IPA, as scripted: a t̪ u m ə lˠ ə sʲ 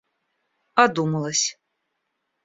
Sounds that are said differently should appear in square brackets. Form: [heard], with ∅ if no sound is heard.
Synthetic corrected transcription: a [d̪] u m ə lˠ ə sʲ